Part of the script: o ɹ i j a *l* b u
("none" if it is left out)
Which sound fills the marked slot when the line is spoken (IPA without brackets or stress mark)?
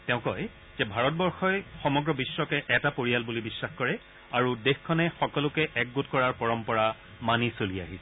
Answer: l